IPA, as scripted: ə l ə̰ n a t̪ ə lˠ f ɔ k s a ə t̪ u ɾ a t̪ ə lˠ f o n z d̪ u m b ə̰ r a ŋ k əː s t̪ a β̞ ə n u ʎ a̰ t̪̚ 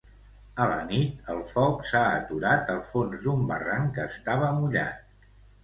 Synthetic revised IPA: ə l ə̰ n i t̪ ə lˠ f ɔ k s a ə t̪ u ɾ a t̪ ə lˠ f o n z d̪ u m b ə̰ r a ŋ k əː s t̪ a β̞ ə m u ʎ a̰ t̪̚